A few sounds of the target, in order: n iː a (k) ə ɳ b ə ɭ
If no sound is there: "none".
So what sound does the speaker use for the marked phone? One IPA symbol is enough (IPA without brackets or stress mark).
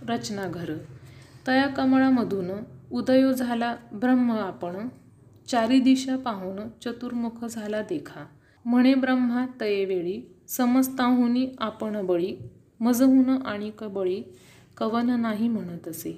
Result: p